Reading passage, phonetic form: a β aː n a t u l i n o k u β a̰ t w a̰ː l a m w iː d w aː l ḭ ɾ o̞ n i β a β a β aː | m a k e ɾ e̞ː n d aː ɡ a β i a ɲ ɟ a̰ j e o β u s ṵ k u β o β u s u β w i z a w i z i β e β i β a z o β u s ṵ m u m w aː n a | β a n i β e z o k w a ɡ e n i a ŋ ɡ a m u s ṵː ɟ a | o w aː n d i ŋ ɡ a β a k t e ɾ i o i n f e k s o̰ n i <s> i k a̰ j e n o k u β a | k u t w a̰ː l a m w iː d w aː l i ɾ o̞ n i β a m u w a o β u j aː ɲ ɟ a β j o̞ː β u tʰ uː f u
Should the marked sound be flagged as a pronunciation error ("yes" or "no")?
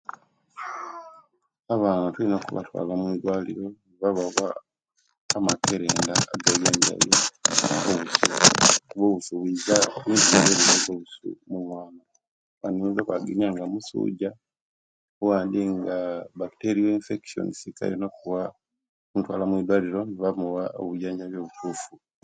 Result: no